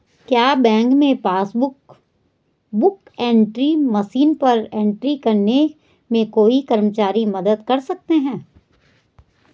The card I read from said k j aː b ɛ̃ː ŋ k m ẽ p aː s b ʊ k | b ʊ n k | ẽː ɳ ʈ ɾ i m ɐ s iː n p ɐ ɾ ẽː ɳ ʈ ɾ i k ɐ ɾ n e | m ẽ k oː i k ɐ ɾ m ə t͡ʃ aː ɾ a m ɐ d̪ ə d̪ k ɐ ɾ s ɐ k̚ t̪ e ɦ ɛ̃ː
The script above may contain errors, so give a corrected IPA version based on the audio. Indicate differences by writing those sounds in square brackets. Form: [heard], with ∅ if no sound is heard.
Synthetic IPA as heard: k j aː b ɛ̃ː ŋ k m ẽ p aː s b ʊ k | b ʊ [∅] k | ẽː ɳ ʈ ɾ i m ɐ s iː n p ɐ ɾ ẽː ɳ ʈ ɾ i k ɐ ɾ n e | m ẽ k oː i k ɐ ɾ m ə t͡ʃ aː ɾ [i] m ɐ d̪ ə d̪ k ɐ ɾ s ɐ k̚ t̪ e ɦ ɛ̃ː